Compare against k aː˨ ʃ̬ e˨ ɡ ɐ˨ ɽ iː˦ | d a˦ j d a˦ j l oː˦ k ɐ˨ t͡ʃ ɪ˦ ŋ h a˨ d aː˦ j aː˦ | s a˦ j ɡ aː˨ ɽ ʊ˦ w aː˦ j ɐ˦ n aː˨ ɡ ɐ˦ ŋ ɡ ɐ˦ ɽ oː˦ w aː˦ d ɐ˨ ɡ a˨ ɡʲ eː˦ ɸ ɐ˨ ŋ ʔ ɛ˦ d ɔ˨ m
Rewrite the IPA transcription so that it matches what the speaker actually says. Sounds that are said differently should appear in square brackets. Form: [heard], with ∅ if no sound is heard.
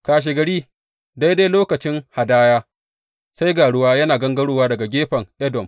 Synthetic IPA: k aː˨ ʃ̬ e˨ ɡ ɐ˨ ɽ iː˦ | d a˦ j d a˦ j l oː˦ k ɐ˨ t͡ʃ ɪ˦ ŋ h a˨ d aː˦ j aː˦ | s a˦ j ɡ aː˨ ɽ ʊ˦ w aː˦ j ɐ˦ n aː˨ ɡ ɐ˦ ŋ ɡ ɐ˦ ɽ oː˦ w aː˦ d ɐ˨ ɡ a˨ ɡʲ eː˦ ɸ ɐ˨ ŋ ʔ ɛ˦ d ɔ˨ m